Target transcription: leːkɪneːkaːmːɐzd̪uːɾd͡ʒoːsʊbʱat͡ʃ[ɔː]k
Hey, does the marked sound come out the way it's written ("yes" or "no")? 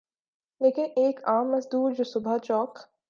yes